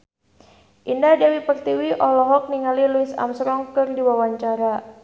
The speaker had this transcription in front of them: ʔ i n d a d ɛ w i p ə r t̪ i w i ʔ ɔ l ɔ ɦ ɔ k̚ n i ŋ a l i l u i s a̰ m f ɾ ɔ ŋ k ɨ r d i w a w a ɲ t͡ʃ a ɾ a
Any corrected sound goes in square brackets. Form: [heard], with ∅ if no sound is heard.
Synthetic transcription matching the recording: ʔ i n d a d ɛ w i p ə r t̪ i w i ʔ ɔ l ɔ ɦ ɔ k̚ n i ŋ a l i l u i s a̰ m [s] ɾ ɔ ŋ k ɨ r d i w a w a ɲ t͡ʃ a ɾ a